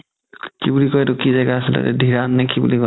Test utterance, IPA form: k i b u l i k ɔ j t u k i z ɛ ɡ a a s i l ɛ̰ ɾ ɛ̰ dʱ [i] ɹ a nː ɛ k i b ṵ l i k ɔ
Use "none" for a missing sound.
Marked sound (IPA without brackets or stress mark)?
i